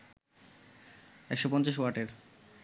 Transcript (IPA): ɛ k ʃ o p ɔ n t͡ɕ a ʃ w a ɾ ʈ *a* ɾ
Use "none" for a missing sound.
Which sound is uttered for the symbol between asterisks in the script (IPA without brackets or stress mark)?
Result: e